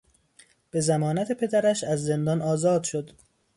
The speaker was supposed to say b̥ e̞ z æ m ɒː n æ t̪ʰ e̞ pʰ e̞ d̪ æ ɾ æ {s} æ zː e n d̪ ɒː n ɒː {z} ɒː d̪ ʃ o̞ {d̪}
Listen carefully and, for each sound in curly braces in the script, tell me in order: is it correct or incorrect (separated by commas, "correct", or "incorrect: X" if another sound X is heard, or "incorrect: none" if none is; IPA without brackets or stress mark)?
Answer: incorrect: ʃ, correct, correct